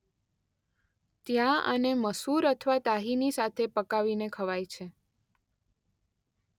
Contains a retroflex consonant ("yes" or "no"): no